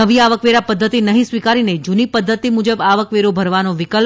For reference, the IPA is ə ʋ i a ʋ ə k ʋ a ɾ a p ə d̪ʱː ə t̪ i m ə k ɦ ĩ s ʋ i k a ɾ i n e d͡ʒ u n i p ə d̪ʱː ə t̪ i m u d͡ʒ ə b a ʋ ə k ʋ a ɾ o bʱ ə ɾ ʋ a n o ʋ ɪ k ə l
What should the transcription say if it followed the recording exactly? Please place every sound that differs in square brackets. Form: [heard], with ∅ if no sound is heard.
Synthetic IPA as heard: ə ʋ i a ʋ ə k ʋ [e] ɾ a p ə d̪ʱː ə t̪ i [n] ə [∅] ɦ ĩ s ʋ i k a ɾ i n e d͡ʒ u n i p ə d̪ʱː ə t̪ i m u d͡ʒ ə b a ʋ ə k ʋ [e] ɾ o bʱ ə ɾ ʋ a n o ʋ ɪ k ə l